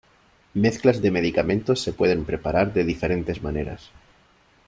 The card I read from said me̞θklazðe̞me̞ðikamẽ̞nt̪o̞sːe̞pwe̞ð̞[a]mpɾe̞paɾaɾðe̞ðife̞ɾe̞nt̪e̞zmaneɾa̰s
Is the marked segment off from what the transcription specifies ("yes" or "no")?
yes